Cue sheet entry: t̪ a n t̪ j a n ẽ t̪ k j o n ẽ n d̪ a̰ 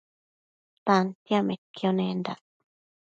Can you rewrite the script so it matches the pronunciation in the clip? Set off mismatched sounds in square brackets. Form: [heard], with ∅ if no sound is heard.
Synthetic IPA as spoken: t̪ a n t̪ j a [m] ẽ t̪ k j o n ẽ n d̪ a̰